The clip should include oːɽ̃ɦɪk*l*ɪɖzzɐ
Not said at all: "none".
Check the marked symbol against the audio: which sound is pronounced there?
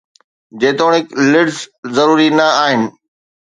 l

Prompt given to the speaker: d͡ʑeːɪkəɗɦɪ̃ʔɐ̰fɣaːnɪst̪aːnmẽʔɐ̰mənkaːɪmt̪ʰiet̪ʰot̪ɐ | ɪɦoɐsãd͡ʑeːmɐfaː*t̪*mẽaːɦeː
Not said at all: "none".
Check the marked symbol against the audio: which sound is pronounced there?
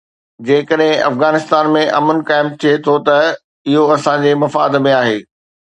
d̪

